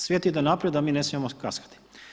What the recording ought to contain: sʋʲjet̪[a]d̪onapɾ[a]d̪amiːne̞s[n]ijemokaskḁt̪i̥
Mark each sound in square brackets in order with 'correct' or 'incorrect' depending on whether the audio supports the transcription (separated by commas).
incorrect, incorrect, incorrect